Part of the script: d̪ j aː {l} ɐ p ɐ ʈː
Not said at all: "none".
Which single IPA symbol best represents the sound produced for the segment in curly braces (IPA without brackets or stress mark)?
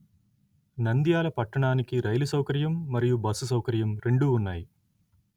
l